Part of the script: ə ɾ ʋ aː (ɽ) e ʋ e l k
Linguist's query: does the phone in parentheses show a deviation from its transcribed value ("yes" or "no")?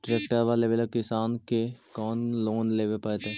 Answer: yes